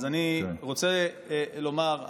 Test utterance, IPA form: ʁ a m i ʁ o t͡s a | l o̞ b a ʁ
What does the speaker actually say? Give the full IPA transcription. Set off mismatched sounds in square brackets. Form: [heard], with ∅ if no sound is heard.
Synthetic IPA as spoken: [z] a [n] i ʁ o t͡s [e] | l o̞ [m] a ʁ